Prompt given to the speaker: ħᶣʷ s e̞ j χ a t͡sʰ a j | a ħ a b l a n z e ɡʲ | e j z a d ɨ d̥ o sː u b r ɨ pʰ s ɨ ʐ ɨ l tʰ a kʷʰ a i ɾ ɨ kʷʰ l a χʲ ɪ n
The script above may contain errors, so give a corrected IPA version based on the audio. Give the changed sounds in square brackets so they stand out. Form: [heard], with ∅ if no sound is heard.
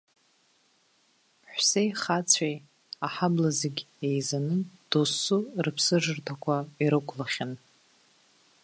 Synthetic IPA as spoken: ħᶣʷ s e̞ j χ a t͡sʰ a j | a ħ a b l a [∅] z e ɡʲ | e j z a [n] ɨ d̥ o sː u [∅] r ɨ pʰ s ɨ ʐ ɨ [r] tʰ a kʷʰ a i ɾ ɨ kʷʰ l a χʲ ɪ n